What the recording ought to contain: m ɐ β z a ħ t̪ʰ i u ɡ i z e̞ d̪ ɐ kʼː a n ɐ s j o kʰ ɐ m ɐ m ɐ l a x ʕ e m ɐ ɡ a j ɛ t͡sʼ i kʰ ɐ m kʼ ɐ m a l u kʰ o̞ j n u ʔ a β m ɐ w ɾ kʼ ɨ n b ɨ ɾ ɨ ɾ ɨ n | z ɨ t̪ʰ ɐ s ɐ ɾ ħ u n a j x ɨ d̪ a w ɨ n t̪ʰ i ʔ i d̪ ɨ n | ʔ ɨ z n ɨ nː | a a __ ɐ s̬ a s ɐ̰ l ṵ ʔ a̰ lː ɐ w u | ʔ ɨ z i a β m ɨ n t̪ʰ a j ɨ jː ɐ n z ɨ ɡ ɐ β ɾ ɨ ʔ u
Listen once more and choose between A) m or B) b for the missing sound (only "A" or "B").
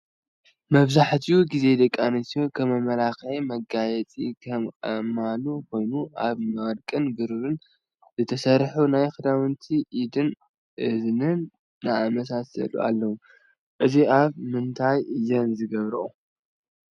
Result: A